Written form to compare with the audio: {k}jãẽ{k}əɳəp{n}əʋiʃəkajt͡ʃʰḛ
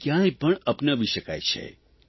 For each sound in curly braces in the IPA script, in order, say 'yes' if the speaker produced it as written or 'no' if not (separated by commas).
yes, no, yes